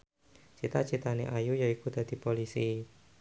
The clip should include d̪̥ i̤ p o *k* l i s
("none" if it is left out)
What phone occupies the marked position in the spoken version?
none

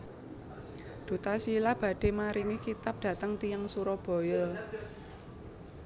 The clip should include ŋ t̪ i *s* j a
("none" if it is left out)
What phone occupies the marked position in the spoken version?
none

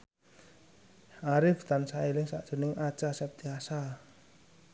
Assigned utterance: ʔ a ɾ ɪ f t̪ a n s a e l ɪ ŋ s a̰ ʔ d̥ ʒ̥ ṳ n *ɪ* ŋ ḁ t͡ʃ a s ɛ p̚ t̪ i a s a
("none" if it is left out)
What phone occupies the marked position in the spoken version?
ɪ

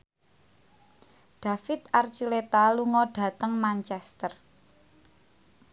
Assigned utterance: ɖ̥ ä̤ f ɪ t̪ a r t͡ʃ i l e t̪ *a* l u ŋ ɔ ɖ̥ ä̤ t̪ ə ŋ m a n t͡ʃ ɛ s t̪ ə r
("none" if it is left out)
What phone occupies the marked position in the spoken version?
a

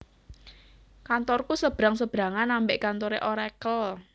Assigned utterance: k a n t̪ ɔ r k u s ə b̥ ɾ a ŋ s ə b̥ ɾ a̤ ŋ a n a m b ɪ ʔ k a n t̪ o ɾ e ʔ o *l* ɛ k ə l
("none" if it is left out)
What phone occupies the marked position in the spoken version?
ɾ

